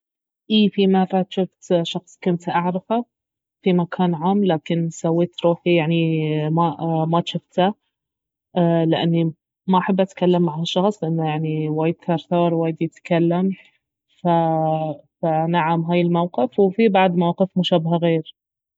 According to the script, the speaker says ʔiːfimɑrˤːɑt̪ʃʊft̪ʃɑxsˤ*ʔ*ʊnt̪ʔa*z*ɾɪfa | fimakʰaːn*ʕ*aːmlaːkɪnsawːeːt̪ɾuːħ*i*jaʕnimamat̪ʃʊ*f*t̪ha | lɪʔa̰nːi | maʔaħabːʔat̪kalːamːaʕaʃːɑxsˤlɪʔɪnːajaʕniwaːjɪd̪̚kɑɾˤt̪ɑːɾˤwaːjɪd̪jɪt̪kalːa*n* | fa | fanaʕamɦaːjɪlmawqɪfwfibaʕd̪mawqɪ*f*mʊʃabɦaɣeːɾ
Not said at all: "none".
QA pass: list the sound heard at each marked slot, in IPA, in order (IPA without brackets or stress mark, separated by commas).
k, ʕ, ʕ, i, f, m, f